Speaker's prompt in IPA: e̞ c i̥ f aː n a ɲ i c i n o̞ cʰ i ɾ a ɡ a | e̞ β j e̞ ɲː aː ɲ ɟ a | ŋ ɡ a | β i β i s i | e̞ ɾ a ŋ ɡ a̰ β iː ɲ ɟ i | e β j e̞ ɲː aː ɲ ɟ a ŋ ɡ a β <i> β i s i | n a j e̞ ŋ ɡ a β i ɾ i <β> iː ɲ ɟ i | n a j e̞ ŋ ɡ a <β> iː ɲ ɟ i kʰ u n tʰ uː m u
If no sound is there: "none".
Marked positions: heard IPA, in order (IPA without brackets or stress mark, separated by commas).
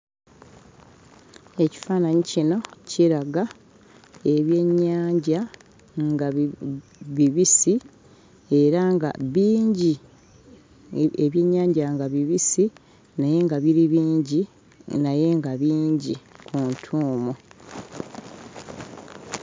i, β, β